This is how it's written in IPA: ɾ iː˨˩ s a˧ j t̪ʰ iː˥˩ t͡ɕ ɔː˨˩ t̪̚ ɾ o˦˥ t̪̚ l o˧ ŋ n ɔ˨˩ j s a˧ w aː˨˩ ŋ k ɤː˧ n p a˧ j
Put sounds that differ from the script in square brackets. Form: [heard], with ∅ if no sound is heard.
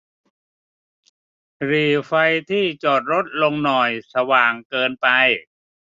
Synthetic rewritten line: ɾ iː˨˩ [f] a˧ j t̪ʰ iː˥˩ t͡ɕ ɔː˨˩ t̪̚ ɾ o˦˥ t̪̚ l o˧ ŋ n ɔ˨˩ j s a˧ w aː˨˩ ŋ k ɤː˧ n p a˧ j